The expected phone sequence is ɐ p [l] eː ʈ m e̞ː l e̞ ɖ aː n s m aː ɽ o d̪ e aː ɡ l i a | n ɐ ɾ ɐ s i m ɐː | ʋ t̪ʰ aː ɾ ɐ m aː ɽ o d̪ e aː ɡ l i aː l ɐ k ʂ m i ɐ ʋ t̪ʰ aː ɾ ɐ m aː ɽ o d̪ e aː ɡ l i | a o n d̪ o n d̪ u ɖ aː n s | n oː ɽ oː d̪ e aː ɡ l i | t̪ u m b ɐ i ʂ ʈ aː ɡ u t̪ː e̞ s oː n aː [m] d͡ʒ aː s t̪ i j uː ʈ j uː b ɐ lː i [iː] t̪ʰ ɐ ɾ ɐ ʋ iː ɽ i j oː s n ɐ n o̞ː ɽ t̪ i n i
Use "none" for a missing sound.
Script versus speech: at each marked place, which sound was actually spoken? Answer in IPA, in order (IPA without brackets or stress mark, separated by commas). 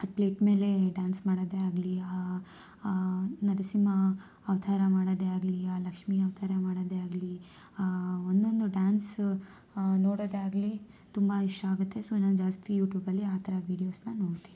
l, n, aː